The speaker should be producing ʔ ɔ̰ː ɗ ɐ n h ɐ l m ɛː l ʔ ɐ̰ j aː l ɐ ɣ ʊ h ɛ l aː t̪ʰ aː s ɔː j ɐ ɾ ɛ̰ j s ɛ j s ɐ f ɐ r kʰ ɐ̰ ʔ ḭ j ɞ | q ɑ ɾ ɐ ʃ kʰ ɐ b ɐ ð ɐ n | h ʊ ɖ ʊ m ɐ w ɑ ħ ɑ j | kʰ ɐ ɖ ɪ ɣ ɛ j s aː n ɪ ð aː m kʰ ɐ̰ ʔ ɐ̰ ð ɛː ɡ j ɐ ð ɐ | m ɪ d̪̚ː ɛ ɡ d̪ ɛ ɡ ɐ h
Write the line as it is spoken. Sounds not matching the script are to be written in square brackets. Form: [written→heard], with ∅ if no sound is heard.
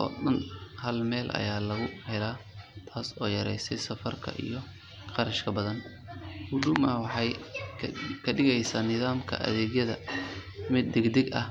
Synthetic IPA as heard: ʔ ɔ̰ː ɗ ɐ n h ɐ l m ɛː l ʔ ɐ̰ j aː l ɐ ɣ ʊ h ɛ l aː t̪ʰ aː s ɔː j ɐ ɾ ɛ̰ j s ɛ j s ɐ f ɐ r kʰ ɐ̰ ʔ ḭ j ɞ | q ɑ ɾ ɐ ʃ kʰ ɐ b ɐ ð ɐ n | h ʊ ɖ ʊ m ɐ w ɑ ħ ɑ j | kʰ ɐ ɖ ɪ ɣ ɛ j s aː n ɪ ð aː m kʰ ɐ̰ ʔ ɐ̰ ð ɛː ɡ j ɐ ð ɐ | m ɪ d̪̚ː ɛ ɡ d̪ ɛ ɡ ɐ h